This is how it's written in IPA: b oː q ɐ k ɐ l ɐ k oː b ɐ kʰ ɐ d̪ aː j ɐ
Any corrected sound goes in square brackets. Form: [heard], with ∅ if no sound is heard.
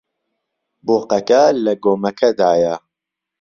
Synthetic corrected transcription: b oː q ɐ k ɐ l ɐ [ɡ] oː [m] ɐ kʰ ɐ d̪ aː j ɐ